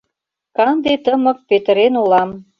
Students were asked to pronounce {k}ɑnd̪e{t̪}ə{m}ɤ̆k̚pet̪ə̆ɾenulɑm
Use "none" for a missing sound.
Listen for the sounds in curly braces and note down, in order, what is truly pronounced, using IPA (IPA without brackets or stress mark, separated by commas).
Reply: k, t̪, m